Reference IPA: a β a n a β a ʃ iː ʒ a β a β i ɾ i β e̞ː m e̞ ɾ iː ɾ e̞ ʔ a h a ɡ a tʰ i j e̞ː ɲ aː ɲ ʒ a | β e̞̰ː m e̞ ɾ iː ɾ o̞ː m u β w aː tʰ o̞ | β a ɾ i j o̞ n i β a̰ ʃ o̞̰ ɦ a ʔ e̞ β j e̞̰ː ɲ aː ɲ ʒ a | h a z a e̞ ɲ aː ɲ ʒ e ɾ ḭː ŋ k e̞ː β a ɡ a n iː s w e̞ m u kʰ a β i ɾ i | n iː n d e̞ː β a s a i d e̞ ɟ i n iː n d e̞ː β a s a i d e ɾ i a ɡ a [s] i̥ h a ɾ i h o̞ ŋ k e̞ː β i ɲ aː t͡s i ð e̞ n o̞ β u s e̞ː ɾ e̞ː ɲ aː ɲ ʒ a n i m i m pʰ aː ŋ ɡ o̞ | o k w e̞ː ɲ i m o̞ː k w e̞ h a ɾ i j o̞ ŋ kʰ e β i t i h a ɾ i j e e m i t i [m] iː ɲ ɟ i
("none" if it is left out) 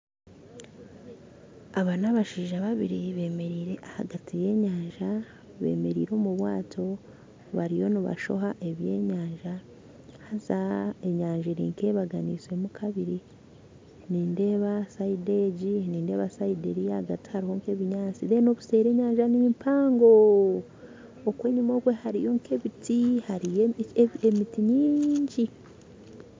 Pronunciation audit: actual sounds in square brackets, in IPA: t, ɲ

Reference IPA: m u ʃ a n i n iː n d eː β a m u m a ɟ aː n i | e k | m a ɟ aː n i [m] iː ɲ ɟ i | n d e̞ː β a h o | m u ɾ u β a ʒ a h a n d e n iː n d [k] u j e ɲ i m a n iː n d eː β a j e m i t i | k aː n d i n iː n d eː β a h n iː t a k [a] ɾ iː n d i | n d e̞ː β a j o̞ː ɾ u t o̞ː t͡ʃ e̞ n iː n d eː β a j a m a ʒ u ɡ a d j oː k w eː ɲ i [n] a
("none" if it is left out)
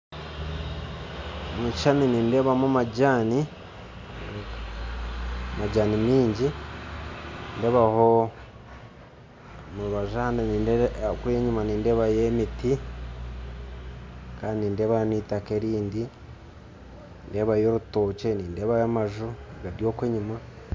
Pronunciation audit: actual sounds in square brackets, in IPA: m, k, e, m

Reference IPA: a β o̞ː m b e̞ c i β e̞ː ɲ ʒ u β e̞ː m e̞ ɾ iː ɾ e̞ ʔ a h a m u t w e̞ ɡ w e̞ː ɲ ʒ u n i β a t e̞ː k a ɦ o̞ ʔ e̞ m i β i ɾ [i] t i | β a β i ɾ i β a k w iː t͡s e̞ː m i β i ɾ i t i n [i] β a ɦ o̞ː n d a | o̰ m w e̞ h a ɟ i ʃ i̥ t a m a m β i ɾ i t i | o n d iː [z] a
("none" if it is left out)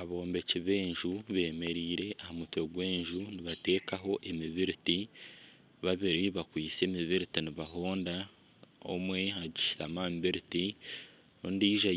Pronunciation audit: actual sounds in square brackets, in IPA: i, i, ʒ

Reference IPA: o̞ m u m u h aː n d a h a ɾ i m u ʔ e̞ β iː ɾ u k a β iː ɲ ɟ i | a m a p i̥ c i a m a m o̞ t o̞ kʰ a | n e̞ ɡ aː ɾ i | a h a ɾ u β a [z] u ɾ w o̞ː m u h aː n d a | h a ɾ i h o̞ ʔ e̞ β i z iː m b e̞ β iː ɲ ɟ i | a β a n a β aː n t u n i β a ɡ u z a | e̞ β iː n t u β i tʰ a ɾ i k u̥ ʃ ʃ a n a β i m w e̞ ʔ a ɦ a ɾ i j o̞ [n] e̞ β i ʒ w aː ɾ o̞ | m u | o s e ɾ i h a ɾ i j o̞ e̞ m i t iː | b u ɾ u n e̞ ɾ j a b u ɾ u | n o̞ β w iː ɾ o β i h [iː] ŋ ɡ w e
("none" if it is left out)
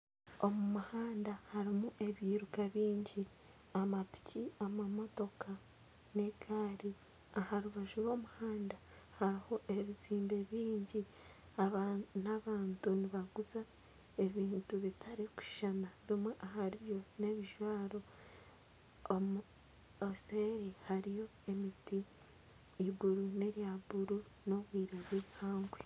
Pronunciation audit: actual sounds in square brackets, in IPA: ʒ, n, aː

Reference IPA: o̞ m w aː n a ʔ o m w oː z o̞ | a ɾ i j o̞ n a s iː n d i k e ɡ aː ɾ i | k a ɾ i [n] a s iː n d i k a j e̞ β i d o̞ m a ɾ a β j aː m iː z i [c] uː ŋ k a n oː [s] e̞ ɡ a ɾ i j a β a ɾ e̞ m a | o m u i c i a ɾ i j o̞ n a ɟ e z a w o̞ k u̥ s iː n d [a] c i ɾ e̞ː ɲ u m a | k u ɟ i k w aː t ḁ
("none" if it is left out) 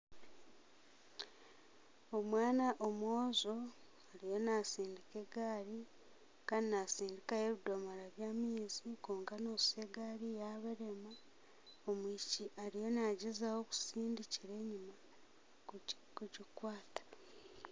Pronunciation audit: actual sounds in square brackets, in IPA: n, k, s, i

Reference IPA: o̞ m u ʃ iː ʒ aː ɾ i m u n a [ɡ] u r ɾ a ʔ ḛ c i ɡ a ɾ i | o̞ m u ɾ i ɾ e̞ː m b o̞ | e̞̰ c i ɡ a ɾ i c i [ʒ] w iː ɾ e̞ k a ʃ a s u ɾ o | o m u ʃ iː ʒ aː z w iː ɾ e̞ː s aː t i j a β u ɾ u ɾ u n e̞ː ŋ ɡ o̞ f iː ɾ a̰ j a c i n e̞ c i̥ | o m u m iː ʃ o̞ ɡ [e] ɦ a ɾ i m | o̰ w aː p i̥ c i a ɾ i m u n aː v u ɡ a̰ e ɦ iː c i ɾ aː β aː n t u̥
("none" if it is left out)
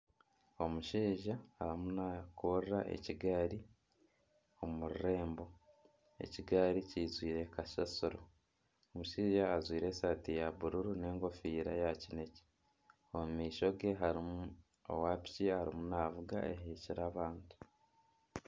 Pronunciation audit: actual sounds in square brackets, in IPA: k, z, e

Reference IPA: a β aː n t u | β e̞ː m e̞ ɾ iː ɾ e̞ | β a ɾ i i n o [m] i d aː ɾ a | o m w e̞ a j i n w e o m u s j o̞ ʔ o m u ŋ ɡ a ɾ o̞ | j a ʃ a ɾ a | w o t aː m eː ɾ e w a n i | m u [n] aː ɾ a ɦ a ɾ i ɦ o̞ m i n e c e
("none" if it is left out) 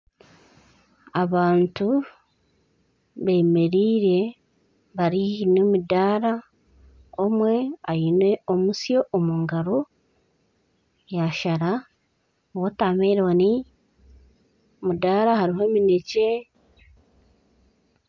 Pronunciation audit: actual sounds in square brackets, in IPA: m, d

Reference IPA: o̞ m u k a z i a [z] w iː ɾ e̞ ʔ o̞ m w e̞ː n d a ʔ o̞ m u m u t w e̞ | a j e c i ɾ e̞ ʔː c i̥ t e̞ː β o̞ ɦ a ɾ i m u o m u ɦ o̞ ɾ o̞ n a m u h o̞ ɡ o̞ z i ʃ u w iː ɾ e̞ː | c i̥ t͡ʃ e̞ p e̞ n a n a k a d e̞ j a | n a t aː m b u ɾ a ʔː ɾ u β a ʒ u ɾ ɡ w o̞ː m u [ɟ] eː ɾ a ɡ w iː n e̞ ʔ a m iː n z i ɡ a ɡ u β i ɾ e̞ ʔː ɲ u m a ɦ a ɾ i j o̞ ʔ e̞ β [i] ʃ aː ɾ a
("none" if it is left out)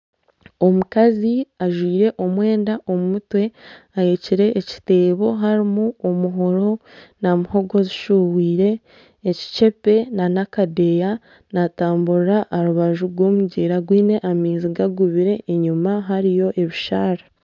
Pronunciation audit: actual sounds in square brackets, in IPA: ʒ, ɟ, i

